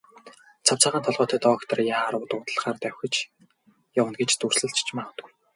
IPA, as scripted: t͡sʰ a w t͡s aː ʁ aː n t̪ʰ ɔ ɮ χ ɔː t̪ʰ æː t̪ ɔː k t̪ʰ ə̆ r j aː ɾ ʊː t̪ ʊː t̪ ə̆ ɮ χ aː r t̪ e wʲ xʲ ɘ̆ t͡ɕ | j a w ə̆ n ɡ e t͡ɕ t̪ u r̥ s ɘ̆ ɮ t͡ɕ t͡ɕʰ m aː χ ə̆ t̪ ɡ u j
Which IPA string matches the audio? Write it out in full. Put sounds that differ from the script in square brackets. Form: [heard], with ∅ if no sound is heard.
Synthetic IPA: t͡sʰ a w t͡s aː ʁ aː n t̪ʰ ɔ ɮ [ʁ] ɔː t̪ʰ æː t̪ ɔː k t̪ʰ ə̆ r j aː ɾ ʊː t̪ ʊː t̪ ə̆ ɮ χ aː r t̪ [æ] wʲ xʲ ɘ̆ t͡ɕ | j a w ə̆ n ɡ e t͡ɕ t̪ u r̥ s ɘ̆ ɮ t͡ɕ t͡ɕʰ m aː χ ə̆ t̪ ɡ u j